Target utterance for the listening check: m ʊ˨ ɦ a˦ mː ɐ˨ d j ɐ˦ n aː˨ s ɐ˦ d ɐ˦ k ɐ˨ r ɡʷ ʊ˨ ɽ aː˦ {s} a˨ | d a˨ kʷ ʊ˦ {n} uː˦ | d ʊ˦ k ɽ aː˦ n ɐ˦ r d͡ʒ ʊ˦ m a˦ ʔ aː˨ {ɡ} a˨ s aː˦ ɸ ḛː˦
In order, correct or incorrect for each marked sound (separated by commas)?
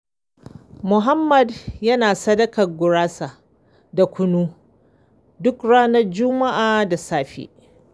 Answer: correct, correct, incorrect